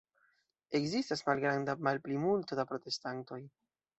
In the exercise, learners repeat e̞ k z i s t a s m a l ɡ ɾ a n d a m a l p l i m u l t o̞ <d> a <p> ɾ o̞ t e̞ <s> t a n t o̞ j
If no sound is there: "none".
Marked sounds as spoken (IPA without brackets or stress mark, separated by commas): d, p, s